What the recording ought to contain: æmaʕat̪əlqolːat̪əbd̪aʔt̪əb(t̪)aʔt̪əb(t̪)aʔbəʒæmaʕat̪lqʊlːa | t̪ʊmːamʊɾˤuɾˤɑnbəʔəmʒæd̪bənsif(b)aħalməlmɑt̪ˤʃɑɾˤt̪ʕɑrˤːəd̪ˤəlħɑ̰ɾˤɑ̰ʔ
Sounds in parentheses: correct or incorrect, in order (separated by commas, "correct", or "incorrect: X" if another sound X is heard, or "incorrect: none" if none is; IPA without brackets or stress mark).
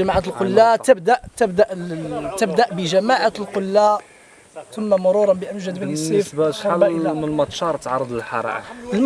incorrect: d̪, incorrect: d̪, correct